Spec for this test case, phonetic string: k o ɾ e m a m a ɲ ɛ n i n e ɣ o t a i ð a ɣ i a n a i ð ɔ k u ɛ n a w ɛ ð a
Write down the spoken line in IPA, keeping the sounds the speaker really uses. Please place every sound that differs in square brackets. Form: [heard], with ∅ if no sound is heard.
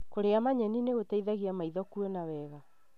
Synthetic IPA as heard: k o ɾ e [∅] a m a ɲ ɛ n i n e ɣ o t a i ð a ɣ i a [m] a i ð ɔ k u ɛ n a w ɛ [ɣ] a